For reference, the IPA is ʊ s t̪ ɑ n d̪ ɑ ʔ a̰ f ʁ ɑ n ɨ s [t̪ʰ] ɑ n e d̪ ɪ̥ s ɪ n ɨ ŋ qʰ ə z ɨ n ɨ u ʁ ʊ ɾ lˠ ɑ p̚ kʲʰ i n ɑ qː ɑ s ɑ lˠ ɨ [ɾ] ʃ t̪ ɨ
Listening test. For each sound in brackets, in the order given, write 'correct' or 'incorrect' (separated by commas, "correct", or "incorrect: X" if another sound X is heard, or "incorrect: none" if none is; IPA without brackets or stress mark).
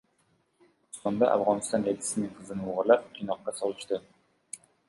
incorrect: t̪, incorrect: none